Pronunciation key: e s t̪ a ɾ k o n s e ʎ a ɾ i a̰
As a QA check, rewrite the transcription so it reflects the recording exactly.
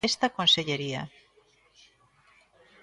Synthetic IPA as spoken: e s t̪ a k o n s e ʎ e ɾ i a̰